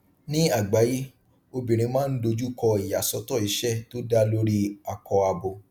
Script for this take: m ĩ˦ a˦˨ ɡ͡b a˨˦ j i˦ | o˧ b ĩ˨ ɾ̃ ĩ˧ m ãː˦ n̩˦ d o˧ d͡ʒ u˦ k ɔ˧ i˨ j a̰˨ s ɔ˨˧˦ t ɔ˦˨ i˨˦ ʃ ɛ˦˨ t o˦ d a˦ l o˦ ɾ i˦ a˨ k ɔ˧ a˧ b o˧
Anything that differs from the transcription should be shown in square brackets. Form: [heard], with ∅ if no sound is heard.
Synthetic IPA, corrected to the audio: [n] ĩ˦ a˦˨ ɡ͡b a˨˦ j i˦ | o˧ b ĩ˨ ɾ̃ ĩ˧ m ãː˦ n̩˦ d o˧ d͡ʒ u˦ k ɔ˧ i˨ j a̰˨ s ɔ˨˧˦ t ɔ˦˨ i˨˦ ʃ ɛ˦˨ t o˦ d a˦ l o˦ ɾ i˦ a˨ k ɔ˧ a˧ b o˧